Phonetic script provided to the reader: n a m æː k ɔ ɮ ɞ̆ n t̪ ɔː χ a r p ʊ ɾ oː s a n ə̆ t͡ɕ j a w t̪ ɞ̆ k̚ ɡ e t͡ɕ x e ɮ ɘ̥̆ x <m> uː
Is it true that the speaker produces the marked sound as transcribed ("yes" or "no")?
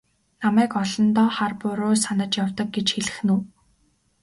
no